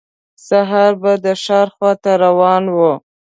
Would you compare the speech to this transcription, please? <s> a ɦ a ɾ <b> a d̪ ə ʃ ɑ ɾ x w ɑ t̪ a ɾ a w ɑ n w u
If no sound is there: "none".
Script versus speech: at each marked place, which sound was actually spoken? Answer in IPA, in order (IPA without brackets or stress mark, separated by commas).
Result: s, b